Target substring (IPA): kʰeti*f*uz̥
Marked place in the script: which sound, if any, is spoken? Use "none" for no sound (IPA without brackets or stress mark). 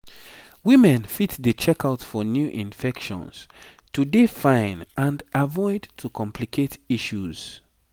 ʃ